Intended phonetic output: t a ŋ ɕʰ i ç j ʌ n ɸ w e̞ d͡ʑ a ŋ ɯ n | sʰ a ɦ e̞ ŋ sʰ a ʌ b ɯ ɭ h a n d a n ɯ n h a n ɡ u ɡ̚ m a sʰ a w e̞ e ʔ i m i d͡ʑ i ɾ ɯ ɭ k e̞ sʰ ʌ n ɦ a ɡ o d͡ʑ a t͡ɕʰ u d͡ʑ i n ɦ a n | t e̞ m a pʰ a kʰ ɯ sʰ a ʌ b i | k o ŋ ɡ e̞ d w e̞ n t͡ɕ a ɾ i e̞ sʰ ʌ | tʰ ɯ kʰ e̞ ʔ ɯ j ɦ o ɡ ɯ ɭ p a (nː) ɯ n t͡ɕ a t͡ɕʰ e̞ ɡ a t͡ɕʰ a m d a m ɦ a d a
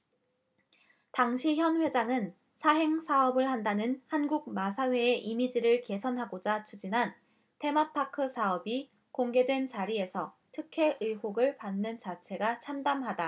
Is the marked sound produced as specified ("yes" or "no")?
yes